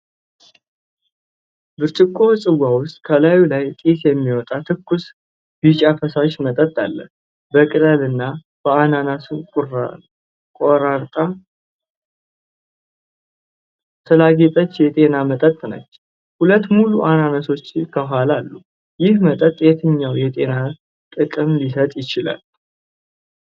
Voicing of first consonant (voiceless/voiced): voiced